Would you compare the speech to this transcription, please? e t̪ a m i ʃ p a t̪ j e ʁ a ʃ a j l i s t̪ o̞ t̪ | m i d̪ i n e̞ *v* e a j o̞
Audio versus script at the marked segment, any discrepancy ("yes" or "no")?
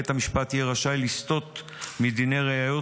yes